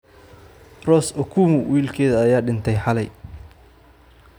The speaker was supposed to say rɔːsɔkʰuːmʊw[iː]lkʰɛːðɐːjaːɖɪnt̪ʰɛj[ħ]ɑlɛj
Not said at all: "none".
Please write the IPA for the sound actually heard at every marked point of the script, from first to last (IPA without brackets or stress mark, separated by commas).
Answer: iː, ħ